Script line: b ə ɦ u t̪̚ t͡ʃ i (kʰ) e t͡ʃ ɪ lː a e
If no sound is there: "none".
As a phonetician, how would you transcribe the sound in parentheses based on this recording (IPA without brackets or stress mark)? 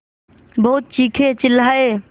kʰ